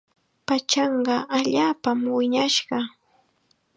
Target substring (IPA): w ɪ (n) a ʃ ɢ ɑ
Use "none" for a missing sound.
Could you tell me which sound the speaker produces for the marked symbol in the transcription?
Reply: ɲ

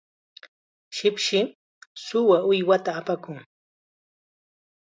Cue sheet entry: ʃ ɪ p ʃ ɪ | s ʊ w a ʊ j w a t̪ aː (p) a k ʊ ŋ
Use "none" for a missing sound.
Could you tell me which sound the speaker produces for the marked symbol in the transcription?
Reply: p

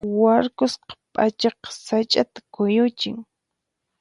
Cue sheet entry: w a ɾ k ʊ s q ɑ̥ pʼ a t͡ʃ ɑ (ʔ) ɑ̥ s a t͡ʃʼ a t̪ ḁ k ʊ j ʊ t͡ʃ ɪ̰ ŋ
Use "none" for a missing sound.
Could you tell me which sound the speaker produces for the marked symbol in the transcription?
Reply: q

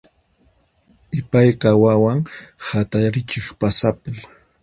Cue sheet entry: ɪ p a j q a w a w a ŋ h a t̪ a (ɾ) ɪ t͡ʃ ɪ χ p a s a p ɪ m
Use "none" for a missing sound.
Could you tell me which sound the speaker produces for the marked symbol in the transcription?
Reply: ɾ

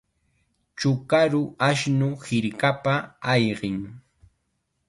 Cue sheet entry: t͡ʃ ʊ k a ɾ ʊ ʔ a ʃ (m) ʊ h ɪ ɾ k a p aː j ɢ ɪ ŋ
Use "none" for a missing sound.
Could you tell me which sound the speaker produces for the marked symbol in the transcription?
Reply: n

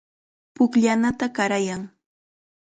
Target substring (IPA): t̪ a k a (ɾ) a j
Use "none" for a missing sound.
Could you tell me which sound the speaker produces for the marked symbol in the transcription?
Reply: ɾ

